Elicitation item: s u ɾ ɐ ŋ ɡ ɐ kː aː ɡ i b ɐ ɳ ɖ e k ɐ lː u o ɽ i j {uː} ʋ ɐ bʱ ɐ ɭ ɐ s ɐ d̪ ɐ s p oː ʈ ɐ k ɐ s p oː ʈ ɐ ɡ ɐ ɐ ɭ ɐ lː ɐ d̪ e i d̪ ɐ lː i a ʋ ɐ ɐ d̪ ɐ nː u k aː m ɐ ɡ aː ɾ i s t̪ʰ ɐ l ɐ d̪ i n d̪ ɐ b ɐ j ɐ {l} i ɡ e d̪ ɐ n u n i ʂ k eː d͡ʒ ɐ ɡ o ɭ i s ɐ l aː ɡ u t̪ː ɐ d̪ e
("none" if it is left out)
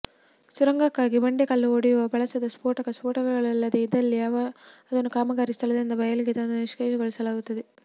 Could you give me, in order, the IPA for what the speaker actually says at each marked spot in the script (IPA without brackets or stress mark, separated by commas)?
u, l